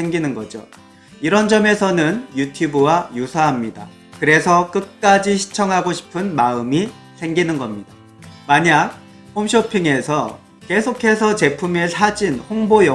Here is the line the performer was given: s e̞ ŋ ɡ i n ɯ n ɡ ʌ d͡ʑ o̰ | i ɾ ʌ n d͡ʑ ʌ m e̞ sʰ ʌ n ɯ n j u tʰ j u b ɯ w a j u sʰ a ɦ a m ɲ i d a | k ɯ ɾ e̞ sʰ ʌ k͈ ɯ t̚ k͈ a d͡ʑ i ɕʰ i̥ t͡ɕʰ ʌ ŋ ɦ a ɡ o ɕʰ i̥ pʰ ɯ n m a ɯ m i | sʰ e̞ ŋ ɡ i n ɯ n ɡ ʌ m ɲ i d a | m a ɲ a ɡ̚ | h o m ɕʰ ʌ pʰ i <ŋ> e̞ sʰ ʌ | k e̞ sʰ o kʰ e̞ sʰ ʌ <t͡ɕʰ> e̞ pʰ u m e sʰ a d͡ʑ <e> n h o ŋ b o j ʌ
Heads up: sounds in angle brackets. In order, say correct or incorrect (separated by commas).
correct, incorrect, incorrect